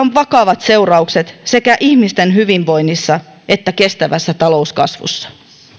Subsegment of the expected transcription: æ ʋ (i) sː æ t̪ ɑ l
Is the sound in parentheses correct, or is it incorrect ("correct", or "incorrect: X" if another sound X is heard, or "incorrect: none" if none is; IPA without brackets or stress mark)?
incorrect: æ